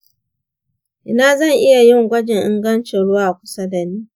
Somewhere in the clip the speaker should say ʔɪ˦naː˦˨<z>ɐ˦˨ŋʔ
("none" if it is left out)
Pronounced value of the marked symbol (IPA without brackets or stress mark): z